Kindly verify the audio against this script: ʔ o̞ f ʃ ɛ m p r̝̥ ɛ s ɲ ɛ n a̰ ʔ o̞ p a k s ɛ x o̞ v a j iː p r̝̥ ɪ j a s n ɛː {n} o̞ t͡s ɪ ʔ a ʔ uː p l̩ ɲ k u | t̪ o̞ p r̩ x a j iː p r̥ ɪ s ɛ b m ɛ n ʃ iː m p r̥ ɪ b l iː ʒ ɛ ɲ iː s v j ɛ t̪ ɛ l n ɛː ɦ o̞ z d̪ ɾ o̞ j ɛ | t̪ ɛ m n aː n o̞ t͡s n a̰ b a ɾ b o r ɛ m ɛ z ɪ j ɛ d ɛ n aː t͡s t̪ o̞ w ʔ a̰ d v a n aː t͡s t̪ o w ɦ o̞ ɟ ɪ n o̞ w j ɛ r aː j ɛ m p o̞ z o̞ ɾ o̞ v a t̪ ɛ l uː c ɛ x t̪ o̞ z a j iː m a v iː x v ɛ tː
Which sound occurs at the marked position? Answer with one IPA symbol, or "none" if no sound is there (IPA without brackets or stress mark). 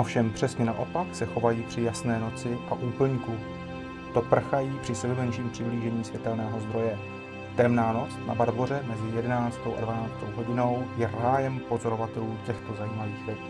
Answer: n